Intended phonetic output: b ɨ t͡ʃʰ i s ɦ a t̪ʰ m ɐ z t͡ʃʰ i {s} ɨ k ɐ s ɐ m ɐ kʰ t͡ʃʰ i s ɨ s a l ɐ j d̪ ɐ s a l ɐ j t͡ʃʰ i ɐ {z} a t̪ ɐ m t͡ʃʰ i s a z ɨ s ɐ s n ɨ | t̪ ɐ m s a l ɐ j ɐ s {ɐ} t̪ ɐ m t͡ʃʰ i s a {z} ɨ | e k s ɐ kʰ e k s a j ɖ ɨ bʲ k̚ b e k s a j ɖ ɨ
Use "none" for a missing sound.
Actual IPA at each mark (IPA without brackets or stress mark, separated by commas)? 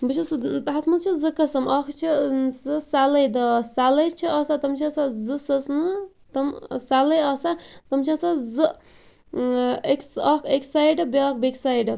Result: z, s, a, z